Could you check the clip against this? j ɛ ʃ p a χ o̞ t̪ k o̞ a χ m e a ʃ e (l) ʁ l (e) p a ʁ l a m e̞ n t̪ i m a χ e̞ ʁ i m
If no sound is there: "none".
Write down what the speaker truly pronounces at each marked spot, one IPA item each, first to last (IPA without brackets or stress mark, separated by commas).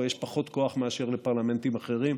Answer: none, e